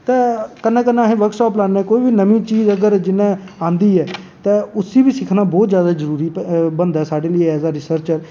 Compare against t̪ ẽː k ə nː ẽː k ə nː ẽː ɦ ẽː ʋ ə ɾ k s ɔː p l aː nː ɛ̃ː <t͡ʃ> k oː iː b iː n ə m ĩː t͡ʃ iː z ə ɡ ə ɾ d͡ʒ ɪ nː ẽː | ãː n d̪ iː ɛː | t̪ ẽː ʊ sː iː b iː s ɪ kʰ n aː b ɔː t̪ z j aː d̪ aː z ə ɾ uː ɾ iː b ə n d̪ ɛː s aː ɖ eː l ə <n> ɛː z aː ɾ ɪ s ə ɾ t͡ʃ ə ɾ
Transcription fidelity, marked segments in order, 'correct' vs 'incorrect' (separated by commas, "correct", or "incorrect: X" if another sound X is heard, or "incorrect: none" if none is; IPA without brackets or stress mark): incorrect: none, incorrect: none